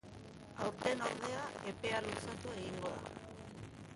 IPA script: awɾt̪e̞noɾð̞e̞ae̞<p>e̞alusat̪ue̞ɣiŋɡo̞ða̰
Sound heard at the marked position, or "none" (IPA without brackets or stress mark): p